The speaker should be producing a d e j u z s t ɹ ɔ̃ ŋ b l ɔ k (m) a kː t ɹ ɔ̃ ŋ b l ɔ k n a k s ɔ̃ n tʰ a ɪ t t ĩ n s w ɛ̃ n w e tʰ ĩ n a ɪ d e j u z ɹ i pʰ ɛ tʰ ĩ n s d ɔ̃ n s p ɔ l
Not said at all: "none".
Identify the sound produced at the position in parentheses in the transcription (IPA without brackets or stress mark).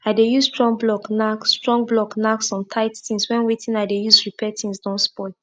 n